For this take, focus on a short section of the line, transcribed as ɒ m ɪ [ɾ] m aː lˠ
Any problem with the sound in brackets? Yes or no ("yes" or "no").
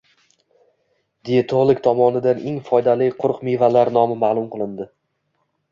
yes